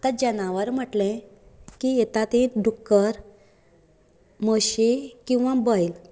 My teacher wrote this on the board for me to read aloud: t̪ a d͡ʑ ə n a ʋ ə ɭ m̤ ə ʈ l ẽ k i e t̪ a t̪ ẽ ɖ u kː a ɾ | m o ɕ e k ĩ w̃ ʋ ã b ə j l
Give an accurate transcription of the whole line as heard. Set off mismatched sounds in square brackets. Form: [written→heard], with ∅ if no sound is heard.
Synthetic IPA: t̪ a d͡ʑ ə n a ʋ ə [ɭ→ɾ] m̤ ə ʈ l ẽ k i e t̪ a t̪ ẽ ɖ u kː [a→ə] ɾ | m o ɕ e k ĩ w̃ ʋ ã b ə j l